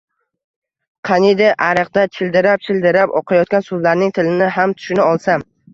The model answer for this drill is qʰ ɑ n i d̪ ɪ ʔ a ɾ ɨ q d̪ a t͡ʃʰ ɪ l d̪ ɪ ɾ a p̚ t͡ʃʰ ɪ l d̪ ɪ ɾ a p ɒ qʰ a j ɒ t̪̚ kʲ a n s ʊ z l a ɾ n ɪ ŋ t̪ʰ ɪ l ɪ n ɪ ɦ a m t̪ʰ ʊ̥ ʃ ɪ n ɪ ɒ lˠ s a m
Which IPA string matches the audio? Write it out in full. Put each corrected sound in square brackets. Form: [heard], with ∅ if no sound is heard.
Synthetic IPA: qʰ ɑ n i d̪ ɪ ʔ a ɾ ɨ q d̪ a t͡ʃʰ ɪ l d̪ ɪ ɾ a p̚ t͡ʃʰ ɪ l d̪ ɪ ɾ a p ɒ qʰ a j ɒ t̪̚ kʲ a n s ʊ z l a ɾ n ɪ ŋ t̪ʰ ɪ l ɪ n ɪ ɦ a m t̪ʰ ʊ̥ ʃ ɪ n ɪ ɒ lˠ s a m